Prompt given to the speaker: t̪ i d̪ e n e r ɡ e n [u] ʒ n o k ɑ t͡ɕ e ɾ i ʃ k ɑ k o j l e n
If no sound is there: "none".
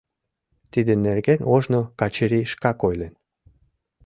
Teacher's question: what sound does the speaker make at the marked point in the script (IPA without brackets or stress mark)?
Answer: o